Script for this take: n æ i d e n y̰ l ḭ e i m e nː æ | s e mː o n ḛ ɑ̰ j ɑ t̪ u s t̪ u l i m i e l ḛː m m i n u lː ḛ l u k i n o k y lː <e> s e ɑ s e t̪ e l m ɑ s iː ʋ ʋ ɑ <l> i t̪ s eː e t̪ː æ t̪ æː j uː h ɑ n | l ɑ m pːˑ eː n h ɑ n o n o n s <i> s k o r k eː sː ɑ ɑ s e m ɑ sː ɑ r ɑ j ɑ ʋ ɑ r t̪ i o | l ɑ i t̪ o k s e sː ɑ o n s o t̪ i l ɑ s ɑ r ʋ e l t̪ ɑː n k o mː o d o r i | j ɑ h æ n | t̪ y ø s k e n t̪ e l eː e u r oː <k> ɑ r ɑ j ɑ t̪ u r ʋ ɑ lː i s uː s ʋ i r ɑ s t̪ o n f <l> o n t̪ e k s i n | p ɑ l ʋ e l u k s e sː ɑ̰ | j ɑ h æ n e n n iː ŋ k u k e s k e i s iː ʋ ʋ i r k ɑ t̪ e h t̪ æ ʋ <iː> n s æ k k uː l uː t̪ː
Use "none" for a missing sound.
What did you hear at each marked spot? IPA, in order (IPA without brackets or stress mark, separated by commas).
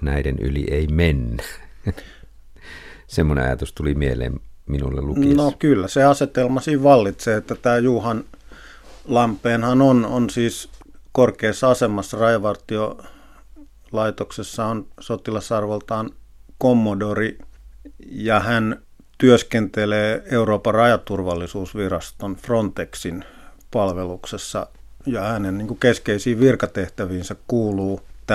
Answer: æ, lː, iː, p, r, iː